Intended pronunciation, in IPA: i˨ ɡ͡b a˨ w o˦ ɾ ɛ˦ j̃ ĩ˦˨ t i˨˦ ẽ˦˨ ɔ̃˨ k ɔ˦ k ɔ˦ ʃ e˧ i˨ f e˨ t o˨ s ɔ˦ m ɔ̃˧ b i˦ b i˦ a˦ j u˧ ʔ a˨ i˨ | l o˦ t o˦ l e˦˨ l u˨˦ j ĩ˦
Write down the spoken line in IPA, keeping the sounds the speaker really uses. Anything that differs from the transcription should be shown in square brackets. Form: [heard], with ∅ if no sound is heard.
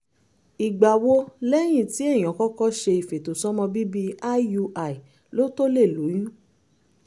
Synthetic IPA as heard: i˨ ɡ͡b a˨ w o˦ [l] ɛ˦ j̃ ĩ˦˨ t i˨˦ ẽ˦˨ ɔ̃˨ k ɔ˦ k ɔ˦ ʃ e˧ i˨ f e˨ t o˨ s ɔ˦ m ɔ̃˧ b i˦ b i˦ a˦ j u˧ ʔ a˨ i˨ | l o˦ t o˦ l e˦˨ l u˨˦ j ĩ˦